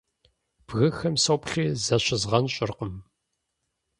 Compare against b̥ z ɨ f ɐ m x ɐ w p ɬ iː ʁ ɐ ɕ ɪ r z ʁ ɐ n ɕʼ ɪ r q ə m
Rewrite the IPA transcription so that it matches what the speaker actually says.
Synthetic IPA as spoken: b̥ ɣ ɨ x ɐ m s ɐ w p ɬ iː z ɐ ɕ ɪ z ʁ ɐ n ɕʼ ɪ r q ə m

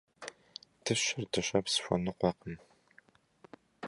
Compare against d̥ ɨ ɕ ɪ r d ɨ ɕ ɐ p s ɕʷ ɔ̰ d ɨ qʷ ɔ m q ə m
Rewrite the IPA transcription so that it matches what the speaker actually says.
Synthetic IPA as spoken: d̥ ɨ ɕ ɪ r d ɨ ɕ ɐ p s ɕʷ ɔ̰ n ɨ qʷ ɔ q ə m

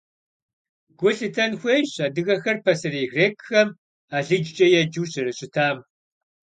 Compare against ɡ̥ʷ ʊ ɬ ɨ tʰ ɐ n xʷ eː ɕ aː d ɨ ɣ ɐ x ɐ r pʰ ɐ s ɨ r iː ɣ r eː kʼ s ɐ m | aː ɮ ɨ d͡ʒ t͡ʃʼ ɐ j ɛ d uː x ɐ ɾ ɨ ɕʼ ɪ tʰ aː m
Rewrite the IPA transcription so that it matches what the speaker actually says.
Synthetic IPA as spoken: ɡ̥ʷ ʊ ɬ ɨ tʰ ɐ n xʷ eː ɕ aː d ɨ ɣ ɐ x ɐ r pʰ ɐ s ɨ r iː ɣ r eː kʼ x ɐ m | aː ɮ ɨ d͡ʒ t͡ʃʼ ɐ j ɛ d͡ʒ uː ɕ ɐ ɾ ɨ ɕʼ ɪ tʰ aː m

